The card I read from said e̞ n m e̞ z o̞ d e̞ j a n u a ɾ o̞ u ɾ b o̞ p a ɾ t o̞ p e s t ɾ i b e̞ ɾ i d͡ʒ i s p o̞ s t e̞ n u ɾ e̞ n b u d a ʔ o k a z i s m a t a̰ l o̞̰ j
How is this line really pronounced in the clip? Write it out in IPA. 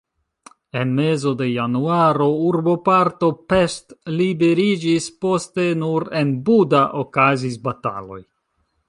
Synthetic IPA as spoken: e̞ n m e̞ z o̞ d e̞ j a n u a ɾ o̞ u ɾ b o̞ p a ɾ t o̞ p e s t l i b e̞ ɾ i d͡ʒ i s p o̞ s t e̞ n u ɾ e̞ n b u d a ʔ o k a z i s b a t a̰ l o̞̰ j

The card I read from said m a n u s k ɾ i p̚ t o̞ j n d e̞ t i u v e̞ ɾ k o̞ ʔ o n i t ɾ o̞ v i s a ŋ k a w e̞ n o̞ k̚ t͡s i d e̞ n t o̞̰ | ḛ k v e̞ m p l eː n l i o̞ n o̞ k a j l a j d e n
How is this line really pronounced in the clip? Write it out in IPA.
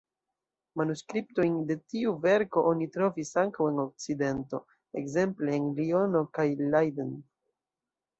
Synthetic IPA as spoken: m a n u s k ɾ i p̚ t o̞ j n d e̞ t i u v e̞ ɾ k o̞ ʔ o n i t ɾ o̞ v i s a ŋ k a w e̞ n o̞ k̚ t͡s i d e̞ n t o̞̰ | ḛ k z e̞ m p l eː n l i o̞ n o̞ k a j l a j d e n

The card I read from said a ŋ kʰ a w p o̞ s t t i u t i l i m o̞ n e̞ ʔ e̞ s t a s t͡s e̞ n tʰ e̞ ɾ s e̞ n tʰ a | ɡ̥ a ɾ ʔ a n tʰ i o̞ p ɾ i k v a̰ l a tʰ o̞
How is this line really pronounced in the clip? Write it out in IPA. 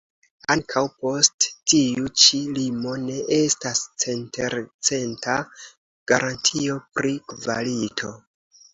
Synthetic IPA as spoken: a ŋ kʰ a w p o̞ s t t i u t͡ʃ i l i m o̞ n e̞ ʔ e̞ s t a s t͡s e̞ n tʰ e̞ ɾ t͡s e̞ n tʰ a | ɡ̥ a ɾ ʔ a n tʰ i o̞ p ɾ i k v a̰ l i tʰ o̞

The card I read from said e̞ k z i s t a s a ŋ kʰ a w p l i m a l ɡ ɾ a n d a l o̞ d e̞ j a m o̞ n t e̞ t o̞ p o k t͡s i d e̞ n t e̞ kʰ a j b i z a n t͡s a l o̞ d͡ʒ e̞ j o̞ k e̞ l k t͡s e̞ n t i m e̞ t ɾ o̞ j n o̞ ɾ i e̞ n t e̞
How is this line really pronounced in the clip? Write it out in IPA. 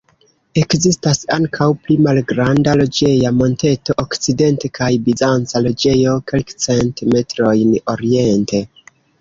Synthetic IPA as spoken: e̞ k z i s t a s a ŋ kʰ a w p l i m a l ɡ ɾ a n d a l o̞ d͡ʒ e̞ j a m o̞ n t e̞ t o̞ ʔ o k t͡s i d e̞ n t e̞ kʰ a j b i z a n t͡s a l o̞ d͡ʒ e̞ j o̞ k e̞ l k t͡s e̞ n t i m e̞ t ɾ o̞ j n o̞ ɾ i e̞ n t e̞

